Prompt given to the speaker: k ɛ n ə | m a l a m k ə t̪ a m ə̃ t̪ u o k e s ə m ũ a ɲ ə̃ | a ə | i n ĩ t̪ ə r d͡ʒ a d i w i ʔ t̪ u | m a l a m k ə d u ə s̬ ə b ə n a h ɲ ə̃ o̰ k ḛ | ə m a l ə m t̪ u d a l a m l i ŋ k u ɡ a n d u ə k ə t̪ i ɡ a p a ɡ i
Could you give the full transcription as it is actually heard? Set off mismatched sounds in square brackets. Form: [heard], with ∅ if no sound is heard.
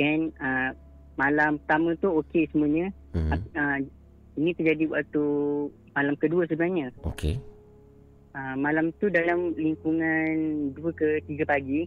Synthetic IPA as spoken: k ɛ n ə | m a l a m [p] ə t̪ a m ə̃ t̪ u o k e s ə m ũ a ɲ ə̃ | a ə | i n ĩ t̪ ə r d͡ʒ a d i w [a] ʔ t̪ u | m a l a m k ə d u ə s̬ ə b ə n a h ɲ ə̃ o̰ k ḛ | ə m a l [a] m t̪ u d a l a m l i ŋ k u [ŋ] a n d u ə k ə t̪ i ɡ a p a ɡ i